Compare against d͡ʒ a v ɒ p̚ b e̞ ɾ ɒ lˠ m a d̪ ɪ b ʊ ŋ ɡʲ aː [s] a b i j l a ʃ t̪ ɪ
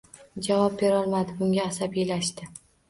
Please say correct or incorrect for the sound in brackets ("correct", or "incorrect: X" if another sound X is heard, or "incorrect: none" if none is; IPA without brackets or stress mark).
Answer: correct